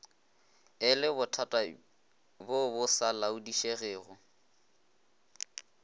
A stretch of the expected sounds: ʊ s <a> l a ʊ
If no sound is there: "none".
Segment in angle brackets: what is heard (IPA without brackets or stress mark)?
a